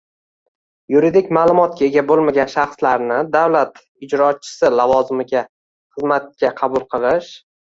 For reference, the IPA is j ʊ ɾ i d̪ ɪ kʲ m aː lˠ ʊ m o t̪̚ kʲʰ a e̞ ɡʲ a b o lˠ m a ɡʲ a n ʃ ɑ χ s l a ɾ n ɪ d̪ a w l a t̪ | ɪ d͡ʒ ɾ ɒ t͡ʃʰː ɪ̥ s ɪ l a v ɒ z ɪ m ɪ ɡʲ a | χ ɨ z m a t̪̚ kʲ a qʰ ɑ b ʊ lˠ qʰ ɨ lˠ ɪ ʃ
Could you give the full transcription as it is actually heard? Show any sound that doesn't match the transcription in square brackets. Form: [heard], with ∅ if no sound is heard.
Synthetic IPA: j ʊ ɾ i d̪ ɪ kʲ m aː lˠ ʊ m [ɒ] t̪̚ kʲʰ a e̞ ɡʲ a b o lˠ m a ɡʲ a n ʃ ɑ χ s l a ɾ n ɪ d̪ a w l a t̪ | ɪ d͡ʒ ɾ ɒ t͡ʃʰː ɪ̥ s ɪ l a v ɒ z ɪ m ɪ ɡʲ a | χ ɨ z m a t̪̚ kʲ a qʰ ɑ b ʊ lˠ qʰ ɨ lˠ ɪ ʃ